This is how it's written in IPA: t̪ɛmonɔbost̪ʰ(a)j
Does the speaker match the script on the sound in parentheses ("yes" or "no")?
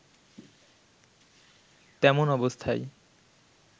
yes